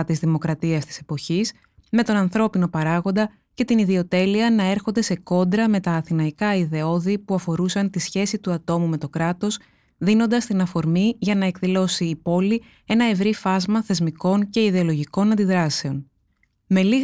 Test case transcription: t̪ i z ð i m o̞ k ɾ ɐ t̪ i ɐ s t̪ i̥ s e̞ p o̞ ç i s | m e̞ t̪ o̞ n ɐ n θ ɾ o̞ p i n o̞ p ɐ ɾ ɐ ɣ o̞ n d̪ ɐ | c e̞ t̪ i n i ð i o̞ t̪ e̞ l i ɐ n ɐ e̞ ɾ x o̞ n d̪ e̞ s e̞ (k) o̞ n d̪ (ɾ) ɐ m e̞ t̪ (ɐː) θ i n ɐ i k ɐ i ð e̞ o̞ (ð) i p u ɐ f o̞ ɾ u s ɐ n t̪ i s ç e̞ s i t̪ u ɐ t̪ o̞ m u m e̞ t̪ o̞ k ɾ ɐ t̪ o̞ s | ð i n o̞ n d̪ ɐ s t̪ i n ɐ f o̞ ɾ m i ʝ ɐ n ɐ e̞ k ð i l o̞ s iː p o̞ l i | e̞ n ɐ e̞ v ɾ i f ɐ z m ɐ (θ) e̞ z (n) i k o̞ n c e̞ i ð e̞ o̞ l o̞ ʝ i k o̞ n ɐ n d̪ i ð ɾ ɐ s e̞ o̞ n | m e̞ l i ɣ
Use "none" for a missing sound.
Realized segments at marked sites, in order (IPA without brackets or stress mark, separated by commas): k, ɾ, ɐː, ð, θ, m